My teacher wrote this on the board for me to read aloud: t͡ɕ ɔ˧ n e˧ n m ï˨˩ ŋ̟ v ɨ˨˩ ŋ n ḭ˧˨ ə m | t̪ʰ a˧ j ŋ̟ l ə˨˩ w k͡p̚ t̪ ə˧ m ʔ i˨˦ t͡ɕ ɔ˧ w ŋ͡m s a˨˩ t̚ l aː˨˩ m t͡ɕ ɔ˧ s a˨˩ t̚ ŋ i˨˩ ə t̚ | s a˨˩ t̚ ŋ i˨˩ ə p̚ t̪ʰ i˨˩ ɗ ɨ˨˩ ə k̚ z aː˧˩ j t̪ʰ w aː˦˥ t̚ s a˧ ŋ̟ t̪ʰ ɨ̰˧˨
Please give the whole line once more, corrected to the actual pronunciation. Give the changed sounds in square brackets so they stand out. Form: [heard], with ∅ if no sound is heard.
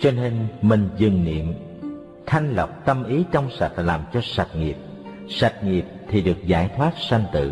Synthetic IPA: t͡ɕ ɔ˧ n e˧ n m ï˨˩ ŋ̟ [z] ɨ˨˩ ŋ n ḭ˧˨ ə m | t̪ʰ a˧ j ŋ̟ l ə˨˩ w k͡p̚ t̪ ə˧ m ʔ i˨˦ t͡ɕ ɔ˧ w ŋ͡m s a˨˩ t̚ l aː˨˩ m t͡ɕ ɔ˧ s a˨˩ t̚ ŋ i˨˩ ə [p̚] | s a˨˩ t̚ ŋ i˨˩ ə p̚ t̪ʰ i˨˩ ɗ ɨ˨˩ ə k̚ z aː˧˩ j t̪ʰ w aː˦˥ t̚ s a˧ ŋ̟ [t̪] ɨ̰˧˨